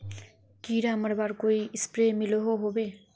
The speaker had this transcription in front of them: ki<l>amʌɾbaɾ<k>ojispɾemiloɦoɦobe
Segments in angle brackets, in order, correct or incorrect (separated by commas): incorrect, correct